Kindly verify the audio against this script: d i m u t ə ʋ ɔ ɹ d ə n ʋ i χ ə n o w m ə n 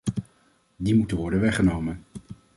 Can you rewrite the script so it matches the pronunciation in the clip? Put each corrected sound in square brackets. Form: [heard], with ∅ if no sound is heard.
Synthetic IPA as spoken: d i m u t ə ʋ ɔ ɹ d ə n ʋ [ɛ] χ ə n o w m ə n